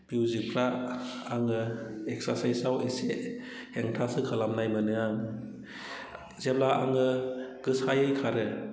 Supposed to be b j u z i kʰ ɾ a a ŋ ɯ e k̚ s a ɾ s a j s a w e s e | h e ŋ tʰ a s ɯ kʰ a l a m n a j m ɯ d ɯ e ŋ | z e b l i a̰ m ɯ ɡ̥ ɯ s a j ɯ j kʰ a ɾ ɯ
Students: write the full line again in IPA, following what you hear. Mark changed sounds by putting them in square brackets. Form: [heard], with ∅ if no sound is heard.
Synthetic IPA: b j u z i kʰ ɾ a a ŋ ɯ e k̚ s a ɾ s a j s a w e s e | h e ŋ tʰ a s ɯ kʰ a l a m n a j m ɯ [n] ɯ [a] ŋ | z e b l [a] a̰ [ŋ] ɯ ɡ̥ ɯ s a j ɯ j kʰ a ɾ ɯ